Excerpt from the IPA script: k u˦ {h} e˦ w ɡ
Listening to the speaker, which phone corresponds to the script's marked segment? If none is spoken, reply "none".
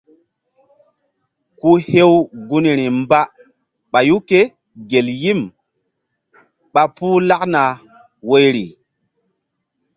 h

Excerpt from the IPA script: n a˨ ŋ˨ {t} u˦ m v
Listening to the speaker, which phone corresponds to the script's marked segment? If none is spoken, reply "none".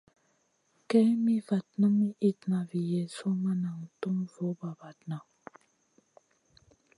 t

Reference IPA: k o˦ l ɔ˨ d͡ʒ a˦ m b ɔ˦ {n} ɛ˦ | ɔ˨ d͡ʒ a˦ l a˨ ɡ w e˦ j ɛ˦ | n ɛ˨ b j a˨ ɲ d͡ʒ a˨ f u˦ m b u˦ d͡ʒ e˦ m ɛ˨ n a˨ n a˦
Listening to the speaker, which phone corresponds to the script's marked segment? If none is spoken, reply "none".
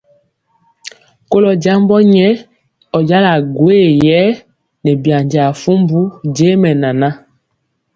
ɲ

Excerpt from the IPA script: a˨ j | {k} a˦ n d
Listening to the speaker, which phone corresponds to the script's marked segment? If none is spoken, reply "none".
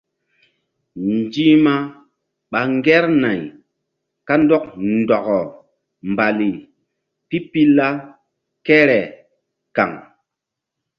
k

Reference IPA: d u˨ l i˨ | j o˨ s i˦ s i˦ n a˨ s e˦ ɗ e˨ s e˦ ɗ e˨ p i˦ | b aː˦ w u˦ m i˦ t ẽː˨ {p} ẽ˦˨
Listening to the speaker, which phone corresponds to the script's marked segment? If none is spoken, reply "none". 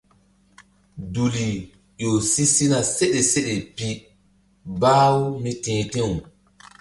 t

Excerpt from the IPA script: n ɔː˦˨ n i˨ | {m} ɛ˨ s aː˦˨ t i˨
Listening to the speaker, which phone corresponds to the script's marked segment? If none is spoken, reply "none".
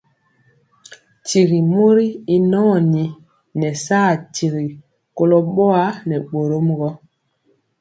n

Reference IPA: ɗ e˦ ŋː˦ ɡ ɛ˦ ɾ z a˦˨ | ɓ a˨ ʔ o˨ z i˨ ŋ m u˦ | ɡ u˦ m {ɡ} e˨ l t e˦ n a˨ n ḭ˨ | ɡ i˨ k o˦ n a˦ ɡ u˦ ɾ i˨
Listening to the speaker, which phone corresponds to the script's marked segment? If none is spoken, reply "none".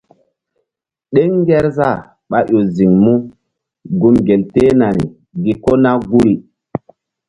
ɡ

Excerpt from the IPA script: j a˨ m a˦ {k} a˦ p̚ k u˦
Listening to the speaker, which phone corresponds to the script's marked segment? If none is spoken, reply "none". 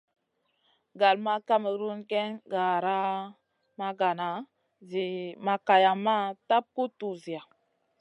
t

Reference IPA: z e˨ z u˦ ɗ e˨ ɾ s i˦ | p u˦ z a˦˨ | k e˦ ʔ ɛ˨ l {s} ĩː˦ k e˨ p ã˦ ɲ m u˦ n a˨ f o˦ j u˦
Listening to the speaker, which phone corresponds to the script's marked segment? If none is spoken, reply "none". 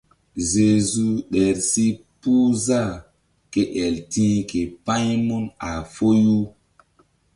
t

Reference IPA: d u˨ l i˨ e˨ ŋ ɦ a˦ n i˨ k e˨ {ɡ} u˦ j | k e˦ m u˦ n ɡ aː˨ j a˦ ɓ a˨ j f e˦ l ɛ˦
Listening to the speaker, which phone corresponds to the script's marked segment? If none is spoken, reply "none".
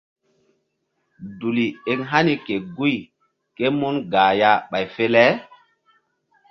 ɡ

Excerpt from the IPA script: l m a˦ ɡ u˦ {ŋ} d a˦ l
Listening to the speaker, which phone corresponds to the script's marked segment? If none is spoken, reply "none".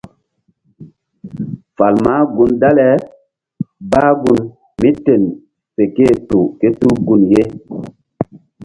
n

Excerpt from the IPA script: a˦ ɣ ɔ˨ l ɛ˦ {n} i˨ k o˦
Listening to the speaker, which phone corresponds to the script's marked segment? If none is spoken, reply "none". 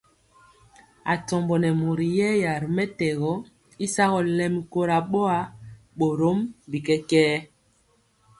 m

